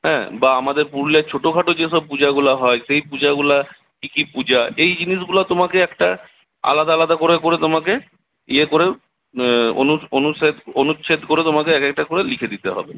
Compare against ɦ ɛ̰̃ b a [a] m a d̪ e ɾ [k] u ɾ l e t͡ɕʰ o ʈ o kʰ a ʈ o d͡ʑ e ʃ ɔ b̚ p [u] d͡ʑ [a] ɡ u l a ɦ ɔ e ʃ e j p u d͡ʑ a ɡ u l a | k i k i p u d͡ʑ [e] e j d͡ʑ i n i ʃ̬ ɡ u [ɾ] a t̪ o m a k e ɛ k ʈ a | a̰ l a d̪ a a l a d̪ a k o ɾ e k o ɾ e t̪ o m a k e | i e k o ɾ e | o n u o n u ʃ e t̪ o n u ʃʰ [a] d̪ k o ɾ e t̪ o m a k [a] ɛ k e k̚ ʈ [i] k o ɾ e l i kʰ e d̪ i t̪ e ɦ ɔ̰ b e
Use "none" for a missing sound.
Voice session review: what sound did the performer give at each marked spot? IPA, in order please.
a, p, u, a, a, l, e, e, a

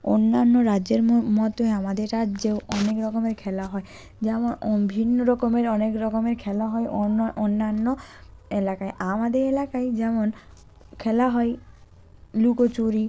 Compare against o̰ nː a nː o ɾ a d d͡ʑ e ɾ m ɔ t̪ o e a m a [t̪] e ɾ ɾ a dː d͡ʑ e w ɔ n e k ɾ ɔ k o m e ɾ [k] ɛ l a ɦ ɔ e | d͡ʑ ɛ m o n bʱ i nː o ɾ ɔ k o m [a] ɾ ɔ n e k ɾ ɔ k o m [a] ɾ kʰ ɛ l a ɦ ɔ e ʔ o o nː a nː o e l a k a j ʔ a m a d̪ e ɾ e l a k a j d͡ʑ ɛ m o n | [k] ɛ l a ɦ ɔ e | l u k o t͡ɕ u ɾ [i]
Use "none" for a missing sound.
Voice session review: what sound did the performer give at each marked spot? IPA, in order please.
d̪, kʰ, e, e, kʰ, i

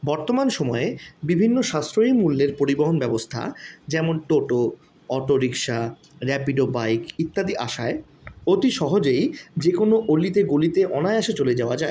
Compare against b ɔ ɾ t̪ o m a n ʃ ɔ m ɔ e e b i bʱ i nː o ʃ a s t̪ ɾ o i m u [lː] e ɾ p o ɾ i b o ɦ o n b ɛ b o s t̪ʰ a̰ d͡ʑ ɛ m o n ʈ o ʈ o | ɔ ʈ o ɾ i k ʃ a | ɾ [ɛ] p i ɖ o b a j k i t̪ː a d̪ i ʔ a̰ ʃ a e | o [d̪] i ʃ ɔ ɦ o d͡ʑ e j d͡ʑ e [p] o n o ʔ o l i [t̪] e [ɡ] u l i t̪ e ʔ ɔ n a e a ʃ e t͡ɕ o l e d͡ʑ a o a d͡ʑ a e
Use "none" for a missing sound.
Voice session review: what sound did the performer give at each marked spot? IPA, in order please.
lː, ɛ, t̪, k, t̪, ɡ

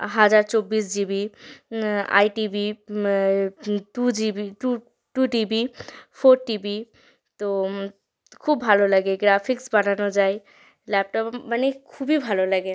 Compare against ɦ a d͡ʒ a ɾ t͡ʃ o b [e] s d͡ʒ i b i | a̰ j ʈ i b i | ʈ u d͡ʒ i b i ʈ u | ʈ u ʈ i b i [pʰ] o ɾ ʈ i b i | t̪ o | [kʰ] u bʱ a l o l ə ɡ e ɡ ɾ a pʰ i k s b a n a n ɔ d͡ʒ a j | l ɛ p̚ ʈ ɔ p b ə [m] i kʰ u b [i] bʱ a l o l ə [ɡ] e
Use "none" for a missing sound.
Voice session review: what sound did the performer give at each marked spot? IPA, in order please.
i, pʰ, kʰ, n, i, ɡ

